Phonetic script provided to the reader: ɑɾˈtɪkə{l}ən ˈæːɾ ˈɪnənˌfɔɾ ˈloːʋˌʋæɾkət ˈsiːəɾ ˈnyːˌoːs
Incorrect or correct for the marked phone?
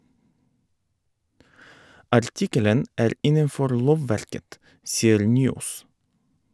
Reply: correct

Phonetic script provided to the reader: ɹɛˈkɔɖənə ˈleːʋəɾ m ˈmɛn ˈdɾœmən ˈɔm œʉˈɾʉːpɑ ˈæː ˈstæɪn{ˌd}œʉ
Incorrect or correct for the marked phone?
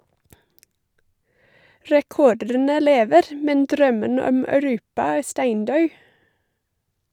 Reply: correct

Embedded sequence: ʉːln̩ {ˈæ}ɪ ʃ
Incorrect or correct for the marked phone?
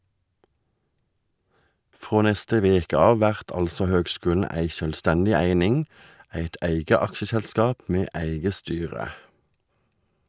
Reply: correct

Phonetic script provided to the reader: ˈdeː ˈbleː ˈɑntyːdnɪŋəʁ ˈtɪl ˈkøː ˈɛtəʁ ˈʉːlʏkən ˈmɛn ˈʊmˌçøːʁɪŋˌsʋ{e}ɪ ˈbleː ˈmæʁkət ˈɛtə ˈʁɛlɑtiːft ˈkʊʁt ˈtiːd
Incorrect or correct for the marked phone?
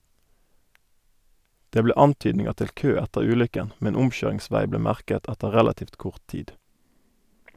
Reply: incorrect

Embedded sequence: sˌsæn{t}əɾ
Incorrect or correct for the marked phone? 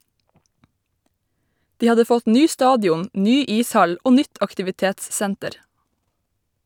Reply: correct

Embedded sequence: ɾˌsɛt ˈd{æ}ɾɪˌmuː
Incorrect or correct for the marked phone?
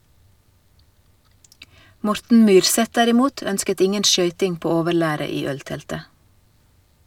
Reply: correct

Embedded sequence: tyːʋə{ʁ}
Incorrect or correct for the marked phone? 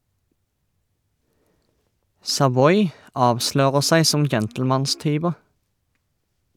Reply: correct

